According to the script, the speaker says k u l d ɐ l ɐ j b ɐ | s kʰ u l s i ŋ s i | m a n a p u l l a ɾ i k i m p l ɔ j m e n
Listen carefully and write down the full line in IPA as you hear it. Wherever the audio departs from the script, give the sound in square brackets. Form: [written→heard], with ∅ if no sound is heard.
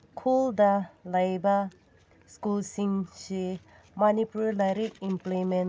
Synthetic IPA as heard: [k→kʰ] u l d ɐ l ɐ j b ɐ | s [kʰ→k] u l s i ŋ s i | m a n [a→i] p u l l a ɾ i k i m p l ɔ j m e n